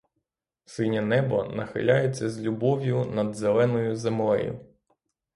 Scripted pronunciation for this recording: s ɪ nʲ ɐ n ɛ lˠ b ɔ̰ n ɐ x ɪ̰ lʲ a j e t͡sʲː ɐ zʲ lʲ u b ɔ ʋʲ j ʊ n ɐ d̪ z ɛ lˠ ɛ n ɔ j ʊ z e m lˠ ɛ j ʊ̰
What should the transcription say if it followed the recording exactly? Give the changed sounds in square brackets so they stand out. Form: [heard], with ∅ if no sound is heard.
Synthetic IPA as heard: s ɪ nʲ ɐ n ɛ [∅] b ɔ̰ n ɐ x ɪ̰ lʲ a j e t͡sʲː ɐ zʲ lʲ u b ɔ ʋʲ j ʊ n ɐ d̪ z [e] lˠ ɛ n ɔ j ʊ z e m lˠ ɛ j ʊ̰